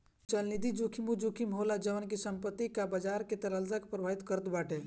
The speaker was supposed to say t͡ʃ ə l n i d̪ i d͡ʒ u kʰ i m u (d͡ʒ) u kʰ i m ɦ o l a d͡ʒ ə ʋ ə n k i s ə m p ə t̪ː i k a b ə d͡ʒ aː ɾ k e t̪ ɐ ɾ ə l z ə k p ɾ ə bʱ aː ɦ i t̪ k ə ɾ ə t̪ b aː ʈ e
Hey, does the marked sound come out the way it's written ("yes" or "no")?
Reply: yes